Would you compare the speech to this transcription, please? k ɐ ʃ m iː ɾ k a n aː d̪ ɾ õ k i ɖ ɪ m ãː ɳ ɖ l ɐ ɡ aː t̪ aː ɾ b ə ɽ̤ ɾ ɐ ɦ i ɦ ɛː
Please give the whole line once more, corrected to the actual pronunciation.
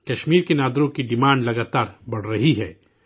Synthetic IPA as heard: k ɐ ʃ m iː ɾ k e n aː d̪ ɾ õ k i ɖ ɪ m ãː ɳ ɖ l ɐ ɡ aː t̪ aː ɾ b ɐ ɽ̤ ɾ ɐ ɦ i ɦ ɛː